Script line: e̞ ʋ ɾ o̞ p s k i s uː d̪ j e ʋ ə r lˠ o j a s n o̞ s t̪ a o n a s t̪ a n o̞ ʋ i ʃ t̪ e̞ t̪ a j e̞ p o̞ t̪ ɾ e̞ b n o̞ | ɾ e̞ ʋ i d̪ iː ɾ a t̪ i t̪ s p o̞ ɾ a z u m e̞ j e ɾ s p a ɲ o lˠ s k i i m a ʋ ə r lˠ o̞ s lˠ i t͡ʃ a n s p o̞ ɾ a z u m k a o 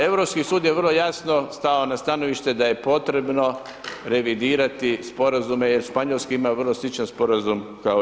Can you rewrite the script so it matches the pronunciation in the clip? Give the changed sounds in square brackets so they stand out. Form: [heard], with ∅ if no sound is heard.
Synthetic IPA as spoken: e̞ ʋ ɾ o̞ p s k i s uː d̪ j e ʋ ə r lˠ o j a s n o̞ s t̪ a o n a s t̪ a n o̞ ʋ i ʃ t̪ e̞ [d̪] a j e̞ p o̞ t̪ ɾ e̞ b n o̞ | ɾ e̞ ʋ i d̪ iː ɾ a t̪ i [∅] s p o̞ ɾ a z u m e̞ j e ɾ [ʃ] p a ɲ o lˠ s k i i m a ʋ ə r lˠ o̞ s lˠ i t͡ʃ a n s p o̞ ɾ a z u m k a o